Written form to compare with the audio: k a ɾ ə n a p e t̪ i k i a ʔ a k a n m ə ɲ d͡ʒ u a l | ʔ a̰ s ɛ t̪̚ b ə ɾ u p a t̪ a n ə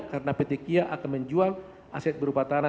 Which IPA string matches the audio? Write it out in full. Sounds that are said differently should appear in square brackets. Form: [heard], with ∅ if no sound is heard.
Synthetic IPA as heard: k a ɾ ə n a p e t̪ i k i a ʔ a k a n m ə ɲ d͡ʒ u a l | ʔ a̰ s ɛ t̪̚ b ə ɾ u p a t̪ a n [a]